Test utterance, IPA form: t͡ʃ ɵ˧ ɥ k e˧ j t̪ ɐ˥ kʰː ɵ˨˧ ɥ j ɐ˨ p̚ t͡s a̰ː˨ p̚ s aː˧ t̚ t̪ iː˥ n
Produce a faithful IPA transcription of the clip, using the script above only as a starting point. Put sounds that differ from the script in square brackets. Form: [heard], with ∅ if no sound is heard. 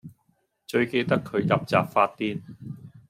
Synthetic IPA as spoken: t͡ʃ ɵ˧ ɥ k e˧ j t̪ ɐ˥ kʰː ɵ˨˧ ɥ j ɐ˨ p̚ t͡s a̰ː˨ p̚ [f] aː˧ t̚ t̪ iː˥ n